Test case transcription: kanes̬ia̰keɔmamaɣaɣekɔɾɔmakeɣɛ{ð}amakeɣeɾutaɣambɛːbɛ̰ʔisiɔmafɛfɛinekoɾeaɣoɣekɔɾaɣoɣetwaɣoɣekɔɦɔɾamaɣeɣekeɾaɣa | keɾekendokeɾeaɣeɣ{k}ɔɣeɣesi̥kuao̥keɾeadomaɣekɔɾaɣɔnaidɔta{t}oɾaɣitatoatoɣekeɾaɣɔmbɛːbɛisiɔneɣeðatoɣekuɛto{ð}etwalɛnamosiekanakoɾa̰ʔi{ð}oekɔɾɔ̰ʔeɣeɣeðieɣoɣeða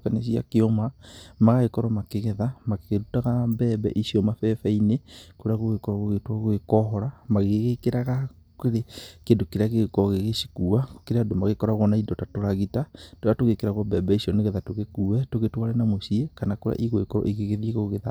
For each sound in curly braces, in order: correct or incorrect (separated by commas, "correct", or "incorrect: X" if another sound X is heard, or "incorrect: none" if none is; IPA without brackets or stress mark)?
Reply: correct, correct, correct, incorrect: ɣ, incorrect: ɣ